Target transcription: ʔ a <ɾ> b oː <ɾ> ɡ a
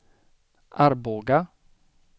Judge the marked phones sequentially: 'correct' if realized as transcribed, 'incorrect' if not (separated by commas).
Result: correct, incorrect